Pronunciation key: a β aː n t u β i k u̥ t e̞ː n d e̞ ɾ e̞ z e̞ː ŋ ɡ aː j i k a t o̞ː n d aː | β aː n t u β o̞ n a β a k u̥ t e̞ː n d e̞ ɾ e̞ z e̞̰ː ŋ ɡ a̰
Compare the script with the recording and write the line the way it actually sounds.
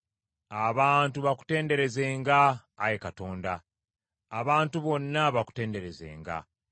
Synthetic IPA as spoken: a β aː n t u β a k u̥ t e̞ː n d e̞ ɾ e̞ z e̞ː ŋ ɡ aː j e k a t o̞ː n d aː | β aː n t u β o̞ nː a β a k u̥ t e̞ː n d e̞ ɾ e̞ z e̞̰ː ŋ ɡ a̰

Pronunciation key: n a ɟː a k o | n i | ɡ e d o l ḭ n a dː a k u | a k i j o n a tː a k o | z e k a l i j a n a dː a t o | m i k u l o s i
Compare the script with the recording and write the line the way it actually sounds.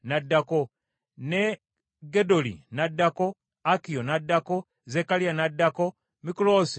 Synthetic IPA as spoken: n a dː a k o | n e | ɡ e d o l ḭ n a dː a k o | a k i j o n a dː a k o | z e k a l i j a n a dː a k o | m i k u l o s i

